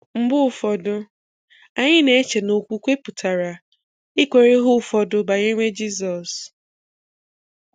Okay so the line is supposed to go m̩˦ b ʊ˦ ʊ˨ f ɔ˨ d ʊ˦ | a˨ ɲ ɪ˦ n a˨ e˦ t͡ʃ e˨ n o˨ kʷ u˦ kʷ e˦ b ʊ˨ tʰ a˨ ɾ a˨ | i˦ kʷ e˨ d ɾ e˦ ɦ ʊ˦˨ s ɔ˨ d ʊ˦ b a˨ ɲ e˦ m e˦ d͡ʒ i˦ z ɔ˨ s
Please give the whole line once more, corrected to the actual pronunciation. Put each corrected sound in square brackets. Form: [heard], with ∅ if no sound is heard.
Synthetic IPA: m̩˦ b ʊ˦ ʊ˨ f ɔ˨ d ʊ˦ | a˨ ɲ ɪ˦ n [e˨] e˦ t͡ʃ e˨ n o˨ kʷ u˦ kʷ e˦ [p] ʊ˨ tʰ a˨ ɾ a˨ | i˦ kʷ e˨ [∅] ɾ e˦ ɦ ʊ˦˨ [f] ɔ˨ d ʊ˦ b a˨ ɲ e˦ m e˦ d͡ʒ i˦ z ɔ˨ s